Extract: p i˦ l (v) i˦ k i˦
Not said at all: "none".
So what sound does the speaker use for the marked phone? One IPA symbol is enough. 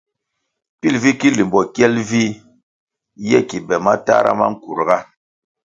v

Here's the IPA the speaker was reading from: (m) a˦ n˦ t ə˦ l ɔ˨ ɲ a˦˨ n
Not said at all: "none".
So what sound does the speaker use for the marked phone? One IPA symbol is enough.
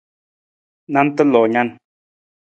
n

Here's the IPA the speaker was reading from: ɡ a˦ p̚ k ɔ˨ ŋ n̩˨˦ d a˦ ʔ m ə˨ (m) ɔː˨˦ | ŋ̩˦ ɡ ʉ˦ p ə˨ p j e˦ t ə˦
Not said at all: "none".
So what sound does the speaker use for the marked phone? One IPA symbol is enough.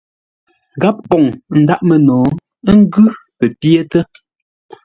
n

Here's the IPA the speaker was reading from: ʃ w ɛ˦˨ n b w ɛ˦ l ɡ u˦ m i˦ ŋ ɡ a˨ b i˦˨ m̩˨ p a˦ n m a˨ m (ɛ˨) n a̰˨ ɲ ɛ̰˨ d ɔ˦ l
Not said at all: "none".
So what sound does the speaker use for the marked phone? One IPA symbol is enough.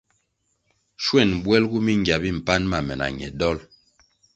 ɛ˨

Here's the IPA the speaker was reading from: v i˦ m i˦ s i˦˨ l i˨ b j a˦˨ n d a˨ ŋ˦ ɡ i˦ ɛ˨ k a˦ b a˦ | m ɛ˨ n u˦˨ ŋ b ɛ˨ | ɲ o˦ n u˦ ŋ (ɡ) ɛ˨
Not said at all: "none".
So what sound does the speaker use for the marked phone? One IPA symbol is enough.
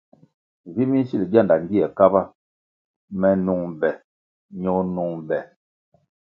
b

